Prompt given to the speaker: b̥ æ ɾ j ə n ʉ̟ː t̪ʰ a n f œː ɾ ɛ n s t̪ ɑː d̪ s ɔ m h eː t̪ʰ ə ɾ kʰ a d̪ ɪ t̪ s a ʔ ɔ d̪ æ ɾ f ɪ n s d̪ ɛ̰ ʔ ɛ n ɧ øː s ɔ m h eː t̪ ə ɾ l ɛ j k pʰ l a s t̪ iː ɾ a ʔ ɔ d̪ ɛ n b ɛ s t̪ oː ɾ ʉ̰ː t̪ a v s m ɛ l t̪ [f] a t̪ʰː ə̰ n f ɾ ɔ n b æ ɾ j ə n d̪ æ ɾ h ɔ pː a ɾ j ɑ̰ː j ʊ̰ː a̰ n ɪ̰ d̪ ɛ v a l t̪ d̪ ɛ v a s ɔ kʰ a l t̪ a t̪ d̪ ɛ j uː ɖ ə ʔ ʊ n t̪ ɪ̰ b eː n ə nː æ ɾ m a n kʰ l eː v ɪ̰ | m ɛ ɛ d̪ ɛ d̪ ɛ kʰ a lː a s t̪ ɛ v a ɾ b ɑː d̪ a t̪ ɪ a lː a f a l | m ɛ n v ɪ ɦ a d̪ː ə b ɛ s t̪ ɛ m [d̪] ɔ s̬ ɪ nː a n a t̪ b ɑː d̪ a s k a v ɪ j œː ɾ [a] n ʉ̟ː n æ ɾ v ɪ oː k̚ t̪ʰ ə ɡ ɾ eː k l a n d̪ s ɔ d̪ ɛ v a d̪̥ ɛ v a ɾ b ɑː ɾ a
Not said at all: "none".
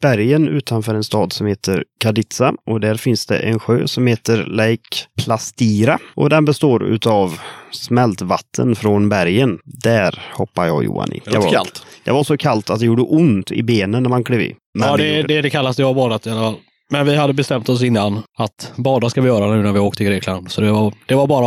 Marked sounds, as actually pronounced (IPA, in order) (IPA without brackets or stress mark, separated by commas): v, t̪, a